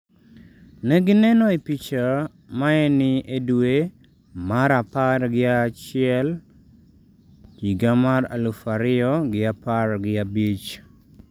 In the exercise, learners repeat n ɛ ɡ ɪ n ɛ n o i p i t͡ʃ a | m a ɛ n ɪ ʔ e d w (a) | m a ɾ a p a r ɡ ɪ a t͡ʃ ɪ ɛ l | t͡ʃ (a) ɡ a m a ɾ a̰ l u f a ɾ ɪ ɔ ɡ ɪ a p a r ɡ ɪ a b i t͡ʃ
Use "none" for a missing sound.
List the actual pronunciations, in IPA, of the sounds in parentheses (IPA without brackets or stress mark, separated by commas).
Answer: e, i